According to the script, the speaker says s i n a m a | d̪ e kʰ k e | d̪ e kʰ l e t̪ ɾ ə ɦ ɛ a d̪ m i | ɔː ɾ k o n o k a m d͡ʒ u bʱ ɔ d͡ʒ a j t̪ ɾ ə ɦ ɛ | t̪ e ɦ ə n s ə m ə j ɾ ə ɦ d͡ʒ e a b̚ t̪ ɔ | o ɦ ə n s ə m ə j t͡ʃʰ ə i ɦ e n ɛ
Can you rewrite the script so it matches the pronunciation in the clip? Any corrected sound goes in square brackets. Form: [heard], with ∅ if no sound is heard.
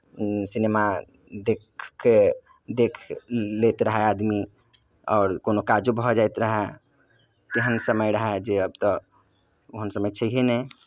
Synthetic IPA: s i n [e] m a | d̪ e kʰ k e | d̪ e kʰ l e t̪ ɾ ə ɦ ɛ a d̪ m i | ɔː ɾ k o n o k a [∅] d͡ʒ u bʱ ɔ d͡ʒ a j t̪ ɾ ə ɦ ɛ | t̪ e ɦ ə n s ə m ə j ɾ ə ɦ d͡ʒ e [ə] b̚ t̪ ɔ | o ɦ ə n s ə m ə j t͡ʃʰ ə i ɦ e n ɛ